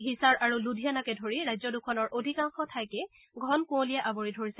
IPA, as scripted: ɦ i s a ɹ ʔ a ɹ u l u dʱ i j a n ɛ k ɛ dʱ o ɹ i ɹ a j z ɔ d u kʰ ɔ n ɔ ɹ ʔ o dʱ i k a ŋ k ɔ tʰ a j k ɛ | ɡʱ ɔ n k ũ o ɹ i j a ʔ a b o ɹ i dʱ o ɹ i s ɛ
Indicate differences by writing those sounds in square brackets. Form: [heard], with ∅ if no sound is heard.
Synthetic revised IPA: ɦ i s a ɹ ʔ a ɹ u l u dʱ i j a n [a] k ɛ dʱ o ɹ i ɹ a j z ɔ d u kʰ ɔ n ɔ ɹ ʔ o dʱ i k a ŋ [x] ɔ tʰ a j k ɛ | ɡʱ ɔ n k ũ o [l] i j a ʔ a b o ɹ i dʱ o ɹ i s ɛ